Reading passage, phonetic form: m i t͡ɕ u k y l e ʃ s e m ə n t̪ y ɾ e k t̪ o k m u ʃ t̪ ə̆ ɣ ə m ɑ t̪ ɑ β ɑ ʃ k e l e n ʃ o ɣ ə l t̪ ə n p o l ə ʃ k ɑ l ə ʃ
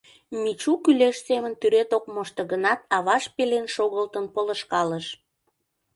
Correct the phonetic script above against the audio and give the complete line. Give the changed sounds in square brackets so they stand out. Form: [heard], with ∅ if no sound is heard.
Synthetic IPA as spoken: m i t͡ɕ u k y l e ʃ s e m ə n t̪ y ɾ e [∅] t̪ o k m [o] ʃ t̪ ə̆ ɣ ə [n] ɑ t̪ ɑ β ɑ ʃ [p] e l e n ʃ o ɣ ə l t̪ ə n p o l ə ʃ k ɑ l ə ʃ